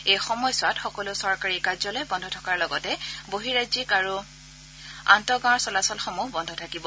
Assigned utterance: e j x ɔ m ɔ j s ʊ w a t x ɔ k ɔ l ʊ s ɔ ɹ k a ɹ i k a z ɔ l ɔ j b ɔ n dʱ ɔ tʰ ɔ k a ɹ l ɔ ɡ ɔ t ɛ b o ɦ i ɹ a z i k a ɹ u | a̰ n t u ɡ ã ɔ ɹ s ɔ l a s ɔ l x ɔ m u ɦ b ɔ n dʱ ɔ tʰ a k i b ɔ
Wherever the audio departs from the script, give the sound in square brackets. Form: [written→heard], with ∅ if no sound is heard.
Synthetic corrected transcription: e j x ɔ m ɔ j s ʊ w a t x ɔ k ɔ l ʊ s ɔ ɹ k a ɹ i k a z ɔ l ɔ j b ɔ n dʱ ɔ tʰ ɔ k a ɹ l ɔ ɡ ɔ t ɛ b o ɦ i ɹ a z i k a ɹ u | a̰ n t [u→ɔ] ɡ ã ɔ ɹ s ɔ l a s ɔ l x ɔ m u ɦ b ɔ n dʱ ɔ tʰ a k i b ɔ

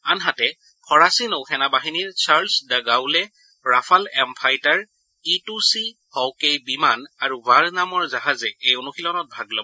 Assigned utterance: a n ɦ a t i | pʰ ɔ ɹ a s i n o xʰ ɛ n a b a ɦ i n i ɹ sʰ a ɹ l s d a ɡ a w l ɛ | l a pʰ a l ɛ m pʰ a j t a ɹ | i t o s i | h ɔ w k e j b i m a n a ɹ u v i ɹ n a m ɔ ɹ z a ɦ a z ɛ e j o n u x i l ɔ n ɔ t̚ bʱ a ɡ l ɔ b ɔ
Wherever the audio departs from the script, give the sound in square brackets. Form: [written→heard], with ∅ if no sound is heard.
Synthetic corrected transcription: a n ɦ a t [i→ɛ] | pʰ ɔ ɹ a s i n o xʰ ɛ n a b a ɦ i n i ɹ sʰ a ɹ l s d a ɡ a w l ɛ | [l→ɹ] a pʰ a l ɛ m pʰ a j t a ɹ | i t [o→u] s i | h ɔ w k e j b i m a n a ɹ u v [i→a] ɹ n a m ɔ ɹ z a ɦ a z ɛ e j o n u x i l ɔ n ɔ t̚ bʱ a ɡ l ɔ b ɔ

